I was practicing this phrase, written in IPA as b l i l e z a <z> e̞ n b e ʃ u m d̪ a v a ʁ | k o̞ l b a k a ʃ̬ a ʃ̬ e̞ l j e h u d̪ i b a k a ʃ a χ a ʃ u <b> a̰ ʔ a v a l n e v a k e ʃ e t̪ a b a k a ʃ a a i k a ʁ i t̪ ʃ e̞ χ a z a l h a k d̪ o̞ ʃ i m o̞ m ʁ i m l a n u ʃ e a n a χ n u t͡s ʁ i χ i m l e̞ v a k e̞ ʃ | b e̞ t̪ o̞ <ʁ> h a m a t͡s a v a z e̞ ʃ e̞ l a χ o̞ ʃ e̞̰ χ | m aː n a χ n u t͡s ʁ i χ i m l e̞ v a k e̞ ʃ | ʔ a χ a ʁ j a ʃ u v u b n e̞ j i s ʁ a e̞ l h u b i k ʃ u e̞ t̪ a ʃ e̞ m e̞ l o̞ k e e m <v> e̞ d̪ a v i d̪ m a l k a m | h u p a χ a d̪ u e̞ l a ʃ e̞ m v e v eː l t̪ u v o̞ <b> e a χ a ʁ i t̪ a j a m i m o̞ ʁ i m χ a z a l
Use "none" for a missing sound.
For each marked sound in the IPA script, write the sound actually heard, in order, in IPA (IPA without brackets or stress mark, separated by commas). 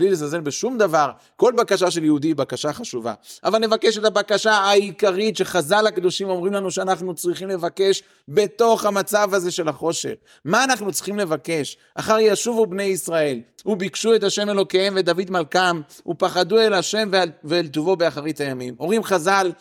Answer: z, v, χ, v, b